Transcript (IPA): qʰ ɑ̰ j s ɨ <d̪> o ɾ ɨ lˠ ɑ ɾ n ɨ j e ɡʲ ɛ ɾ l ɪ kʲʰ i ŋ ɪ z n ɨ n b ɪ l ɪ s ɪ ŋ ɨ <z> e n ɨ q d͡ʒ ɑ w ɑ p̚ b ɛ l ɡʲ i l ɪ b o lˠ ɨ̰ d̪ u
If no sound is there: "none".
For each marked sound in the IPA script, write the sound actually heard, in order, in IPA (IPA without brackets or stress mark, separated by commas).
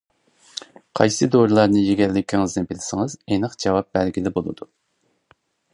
d̪, z